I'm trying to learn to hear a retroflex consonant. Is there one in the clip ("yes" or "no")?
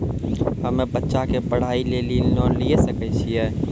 yes